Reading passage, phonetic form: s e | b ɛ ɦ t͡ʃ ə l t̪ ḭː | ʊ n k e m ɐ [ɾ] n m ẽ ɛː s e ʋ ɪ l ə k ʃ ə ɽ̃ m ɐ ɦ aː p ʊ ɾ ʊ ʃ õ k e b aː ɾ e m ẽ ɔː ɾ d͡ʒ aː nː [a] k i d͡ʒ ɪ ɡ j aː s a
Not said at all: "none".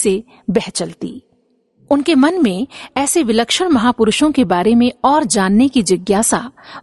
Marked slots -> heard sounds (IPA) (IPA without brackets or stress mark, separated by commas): none, e